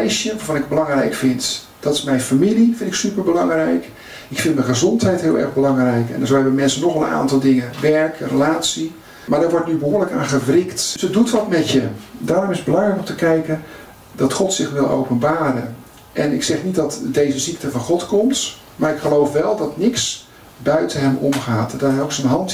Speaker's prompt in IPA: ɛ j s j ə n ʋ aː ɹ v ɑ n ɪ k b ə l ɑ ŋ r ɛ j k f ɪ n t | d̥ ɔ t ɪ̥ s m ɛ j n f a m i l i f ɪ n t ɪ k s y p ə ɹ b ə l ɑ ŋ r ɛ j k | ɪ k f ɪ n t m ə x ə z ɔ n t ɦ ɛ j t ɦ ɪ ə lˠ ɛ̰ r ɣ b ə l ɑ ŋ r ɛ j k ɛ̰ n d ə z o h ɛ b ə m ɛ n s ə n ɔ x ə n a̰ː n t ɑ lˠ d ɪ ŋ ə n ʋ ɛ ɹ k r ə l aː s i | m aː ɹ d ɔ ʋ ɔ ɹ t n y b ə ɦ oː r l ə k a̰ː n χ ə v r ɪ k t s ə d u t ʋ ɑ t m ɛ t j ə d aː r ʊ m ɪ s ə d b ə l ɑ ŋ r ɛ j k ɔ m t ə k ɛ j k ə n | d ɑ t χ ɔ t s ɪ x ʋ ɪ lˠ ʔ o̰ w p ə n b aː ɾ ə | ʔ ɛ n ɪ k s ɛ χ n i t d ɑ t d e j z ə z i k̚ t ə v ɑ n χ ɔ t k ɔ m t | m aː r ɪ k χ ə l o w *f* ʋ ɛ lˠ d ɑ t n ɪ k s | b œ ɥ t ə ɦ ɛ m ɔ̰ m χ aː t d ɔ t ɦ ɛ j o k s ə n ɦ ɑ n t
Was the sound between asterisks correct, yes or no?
yes